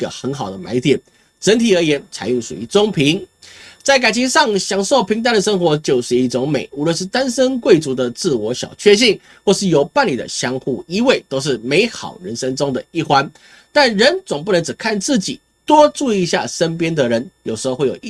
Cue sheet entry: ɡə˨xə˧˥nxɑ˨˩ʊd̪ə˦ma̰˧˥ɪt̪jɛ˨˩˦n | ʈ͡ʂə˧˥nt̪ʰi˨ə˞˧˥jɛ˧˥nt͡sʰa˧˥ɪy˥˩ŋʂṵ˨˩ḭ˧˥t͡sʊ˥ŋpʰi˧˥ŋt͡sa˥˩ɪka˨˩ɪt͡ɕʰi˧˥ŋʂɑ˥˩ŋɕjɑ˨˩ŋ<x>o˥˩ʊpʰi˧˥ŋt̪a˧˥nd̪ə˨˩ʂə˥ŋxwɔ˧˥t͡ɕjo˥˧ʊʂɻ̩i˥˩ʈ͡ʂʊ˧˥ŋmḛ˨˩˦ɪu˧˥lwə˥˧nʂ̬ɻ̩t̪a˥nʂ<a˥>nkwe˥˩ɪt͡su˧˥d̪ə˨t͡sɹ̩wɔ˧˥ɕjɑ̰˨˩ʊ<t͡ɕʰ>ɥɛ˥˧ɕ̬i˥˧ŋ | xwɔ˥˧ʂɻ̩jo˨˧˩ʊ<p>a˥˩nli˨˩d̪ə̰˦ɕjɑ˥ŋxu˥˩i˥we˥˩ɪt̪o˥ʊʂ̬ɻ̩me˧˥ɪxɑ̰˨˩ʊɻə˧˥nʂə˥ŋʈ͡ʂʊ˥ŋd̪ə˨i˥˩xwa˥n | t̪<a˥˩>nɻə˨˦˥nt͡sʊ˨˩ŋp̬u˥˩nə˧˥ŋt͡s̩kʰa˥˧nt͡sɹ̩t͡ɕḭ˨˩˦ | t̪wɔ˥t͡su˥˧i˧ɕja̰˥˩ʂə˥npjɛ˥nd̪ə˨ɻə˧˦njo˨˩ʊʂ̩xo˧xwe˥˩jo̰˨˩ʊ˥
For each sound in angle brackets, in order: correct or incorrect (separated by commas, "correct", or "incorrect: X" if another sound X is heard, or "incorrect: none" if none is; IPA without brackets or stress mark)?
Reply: incorrect: ʂ, incorrect: ə˥, correct, correct, correct